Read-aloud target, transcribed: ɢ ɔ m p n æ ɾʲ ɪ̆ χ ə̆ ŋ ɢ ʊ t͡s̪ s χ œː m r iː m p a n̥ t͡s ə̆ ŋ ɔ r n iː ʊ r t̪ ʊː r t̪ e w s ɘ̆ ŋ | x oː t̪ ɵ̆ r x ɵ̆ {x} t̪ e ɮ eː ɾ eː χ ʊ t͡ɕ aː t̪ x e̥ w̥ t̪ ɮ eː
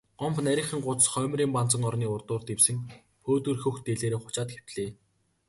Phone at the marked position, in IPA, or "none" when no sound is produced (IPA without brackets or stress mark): x